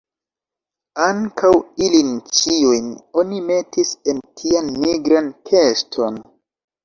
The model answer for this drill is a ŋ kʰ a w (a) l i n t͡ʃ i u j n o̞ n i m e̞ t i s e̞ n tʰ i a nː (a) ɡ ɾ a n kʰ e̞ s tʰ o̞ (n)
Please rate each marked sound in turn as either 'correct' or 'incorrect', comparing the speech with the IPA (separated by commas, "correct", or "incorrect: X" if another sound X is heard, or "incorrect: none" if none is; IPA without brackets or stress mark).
incorrect: i, incorrect: i, correct